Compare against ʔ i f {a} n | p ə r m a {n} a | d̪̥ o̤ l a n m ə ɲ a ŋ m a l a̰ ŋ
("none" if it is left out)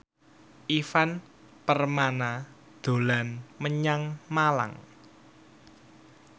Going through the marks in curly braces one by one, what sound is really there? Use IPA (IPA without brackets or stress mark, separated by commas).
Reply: a, n